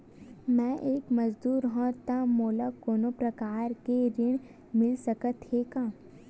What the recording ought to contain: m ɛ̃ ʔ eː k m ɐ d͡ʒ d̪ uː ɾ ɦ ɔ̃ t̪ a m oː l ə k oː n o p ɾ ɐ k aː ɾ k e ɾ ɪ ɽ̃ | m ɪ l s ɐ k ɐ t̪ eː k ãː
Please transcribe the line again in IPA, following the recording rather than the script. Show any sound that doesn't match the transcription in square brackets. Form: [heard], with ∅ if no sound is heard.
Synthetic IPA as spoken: m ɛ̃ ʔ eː k m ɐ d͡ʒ d̪ uː ɾ ɦ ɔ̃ t̪ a m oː l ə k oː n o p ɾ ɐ k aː ɾ k e ɾ ɪ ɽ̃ | m ɪ l s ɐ k [ə] t̪ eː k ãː